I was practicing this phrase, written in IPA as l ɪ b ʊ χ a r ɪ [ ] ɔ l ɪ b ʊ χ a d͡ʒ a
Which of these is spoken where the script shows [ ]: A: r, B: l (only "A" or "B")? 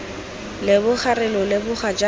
B